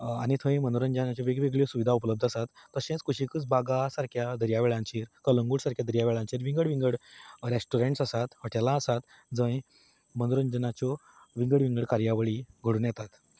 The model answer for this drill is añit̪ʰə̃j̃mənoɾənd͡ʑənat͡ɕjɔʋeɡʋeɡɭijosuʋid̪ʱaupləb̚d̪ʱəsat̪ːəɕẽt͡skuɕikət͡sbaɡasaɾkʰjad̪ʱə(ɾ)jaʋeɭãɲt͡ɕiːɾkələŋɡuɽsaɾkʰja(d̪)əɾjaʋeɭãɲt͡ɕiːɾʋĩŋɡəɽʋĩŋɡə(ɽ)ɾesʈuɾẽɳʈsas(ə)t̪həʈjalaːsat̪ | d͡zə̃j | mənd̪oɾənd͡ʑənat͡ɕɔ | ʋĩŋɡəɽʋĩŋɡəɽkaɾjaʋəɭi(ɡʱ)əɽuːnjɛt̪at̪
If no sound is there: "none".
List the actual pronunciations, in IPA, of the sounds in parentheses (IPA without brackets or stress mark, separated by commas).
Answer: ɾ, d̪, ɽ, a, ɡʱ